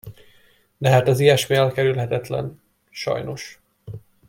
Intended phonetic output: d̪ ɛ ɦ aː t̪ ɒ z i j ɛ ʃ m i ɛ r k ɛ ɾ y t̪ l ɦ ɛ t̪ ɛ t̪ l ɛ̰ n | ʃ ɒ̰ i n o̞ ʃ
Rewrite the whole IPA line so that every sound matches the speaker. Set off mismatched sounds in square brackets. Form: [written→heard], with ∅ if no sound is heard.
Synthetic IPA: d̪ ɛ ɦ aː t̪ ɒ z i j ɛ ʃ m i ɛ [r→l] k ɛ ɾ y [t̪→∅] l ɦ ɛ t̪ ɛ t̪ l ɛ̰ n | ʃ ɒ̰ [i→j] n o̞ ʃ